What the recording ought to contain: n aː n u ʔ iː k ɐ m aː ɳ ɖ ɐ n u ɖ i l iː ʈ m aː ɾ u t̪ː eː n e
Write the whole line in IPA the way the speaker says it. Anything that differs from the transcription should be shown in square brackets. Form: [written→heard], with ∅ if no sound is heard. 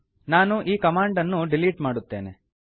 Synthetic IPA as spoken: n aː n u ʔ iː k ɐ m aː ɳ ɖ ɐ [n→nː] u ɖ i l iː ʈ m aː [ɾ→ɽ] u t̪ː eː n e

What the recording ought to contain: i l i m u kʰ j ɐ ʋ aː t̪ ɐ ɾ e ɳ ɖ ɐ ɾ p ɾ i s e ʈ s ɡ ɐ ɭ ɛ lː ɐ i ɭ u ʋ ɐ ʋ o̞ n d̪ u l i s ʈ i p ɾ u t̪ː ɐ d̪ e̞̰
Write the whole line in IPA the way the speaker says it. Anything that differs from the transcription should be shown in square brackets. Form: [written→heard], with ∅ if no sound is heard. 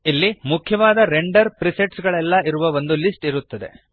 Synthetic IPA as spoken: i [l→lː] i m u kʰ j ɐ ʋ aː [t̪→d̪] ɐ ɾ e ɳ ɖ ɐ ɾ p ɾ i s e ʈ s ɡ ɐ ɭ ɛ lː ɐ i [ɭ→ɾ] u ʋ ɐ ʋ o̞ n d̪ u l i s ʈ i [p→∅] ɾ u t̪ː ɐ d̪ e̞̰

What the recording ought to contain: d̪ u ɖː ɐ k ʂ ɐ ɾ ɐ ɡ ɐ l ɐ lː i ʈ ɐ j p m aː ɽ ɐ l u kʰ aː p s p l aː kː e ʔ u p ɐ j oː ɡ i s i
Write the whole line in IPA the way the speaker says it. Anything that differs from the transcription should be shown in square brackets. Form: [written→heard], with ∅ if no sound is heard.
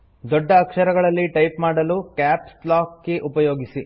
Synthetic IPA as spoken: d̪ [u→ɔ] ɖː [ɐ→ɐː] k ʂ ɐ ɾ ɐ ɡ ɐ [l→ɭ] ɐ lː i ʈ ɐ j p m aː ɽ ɐ l u [kʰ→k] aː p s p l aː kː e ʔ u p ɐ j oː ɡ i s i

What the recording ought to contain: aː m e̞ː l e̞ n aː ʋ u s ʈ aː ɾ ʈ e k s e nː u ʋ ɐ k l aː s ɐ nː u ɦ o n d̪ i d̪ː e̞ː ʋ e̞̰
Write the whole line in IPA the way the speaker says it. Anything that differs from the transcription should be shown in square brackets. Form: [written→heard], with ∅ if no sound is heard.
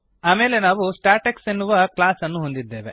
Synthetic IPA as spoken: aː m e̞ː l e̞ n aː ʋ u s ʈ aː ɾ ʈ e k s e nː u ʋ ɐ k l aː s ɐ nː u ɦ o n d̪ i d̪ː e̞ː ʋ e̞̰

